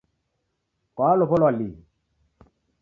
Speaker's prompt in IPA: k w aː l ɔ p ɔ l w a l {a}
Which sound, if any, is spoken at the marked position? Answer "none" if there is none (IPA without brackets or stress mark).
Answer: i